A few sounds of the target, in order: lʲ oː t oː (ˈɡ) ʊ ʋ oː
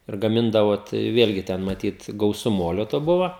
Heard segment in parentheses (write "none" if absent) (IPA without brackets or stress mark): b